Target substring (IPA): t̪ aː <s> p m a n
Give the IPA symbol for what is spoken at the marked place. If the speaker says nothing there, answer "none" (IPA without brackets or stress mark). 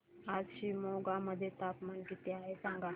none